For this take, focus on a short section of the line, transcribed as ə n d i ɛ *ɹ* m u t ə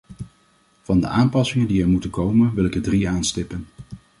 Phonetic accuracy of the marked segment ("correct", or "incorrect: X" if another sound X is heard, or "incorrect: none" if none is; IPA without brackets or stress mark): correct